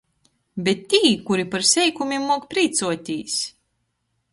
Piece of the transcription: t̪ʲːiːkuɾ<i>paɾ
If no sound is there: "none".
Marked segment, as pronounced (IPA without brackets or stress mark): i